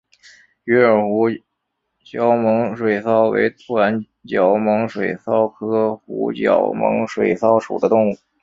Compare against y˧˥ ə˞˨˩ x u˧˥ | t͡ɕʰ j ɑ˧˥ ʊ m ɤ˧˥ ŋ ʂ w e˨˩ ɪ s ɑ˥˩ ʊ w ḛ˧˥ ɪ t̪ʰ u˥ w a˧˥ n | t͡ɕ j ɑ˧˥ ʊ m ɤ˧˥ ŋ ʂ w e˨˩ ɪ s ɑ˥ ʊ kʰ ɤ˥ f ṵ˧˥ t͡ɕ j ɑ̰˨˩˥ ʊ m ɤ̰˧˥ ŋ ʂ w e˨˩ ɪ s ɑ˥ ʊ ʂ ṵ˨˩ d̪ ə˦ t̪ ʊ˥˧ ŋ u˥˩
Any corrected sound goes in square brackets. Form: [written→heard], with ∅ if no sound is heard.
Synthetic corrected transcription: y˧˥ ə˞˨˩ x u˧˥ | [t͡ɕʰ→t͡ɕ] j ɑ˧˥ ʊ m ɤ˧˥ ŋ ʂ w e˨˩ ɪ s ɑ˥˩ ʊ w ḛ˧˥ ɪ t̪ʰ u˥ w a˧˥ n | t͡ɕ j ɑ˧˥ ʊ m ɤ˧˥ ŋ ʂ w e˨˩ ɪ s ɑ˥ ʊ kʰ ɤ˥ [f→x] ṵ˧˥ t͡ɕ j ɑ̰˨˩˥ ʊ m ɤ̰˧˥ ŋ ʂ w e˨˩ ɪ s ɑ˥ ʊ ʂ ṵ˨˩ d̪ ə˦ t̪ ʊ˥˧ ŋ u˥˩